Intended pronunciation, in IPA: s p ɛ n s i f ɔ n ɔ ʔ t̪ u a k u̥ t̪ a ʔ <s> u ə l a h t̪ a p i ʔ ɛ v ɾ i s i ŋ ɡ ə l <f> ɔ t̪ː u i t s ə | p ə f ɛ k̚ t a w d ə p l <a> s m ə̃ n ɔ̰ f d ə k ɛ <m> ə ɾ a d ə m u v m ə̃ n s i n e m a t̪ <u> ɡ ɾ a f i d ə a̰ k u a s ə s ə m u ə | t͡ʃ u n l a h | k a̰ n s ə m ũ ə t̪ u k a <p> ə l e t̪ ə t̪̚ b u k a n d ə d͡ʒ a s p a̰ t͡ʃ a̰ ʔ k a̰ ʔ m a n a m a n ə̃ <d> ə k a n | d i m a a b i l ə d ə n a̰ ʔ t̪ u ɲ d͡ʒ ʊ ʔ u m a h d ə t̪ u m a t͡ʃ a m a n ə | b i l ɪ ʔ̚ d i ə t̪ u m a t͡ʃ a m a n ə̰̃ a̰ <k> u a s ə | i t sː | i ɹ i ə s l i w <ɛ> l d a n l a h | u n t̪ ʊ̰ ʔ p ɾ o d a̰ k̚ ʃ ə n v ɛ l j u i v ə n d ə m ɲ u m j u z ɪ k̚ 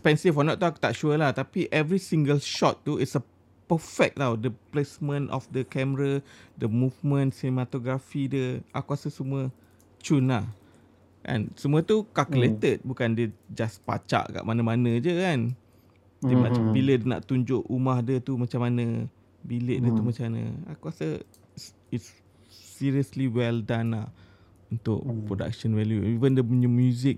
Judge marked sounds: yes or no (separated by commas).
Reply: no, no, no, yes, no, no, no, yes, yes